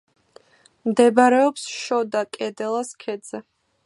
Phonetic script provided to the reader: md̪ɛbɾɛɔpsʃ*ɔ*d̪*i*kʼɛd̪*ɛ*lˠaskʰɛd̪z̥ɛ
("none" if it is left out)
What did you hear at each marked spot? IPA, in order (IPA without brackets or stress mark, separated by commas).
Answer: ɔ, a, ɛ